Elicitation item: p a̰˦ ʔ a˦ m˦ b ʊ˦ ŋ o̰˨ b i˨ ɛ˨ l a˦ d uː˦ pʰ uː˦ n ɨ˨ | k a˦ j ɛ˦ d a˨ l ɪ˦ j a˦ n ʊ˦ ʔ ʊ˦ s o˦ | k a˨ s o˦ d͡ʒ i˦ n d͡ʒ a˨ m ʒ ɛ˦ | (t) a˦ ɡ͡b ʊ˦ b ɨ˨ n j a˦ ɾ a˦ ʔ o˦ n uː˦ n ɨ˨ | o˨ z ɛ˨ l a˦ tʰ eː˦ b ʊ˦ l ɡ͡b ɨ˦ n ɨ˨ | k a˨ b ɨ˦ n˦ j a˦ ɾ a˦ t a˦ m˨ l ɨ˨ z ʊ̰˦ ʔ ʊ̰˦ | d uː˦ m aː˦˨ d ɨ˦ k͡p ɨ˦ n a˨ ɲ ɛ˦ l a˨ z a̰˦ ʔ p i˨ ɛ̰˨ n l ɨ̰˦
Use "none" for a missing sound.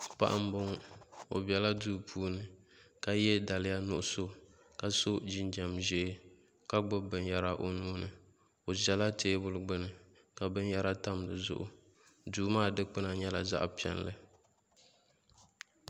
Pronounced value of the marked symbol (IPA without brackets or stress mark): k